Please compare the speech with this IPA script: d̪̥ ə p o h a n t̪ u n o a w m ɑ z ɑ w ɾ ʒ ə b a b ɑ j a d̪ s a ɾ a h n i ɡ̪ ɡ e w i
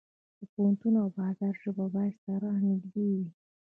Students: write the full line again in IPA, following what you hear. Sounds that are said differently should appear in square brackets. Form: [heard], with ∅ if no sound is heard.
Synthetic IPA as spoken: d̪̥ ə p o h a n t̪ u n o a w [b] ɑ z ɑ [∅] ɾ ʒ ə b a b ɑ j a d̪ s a ɾ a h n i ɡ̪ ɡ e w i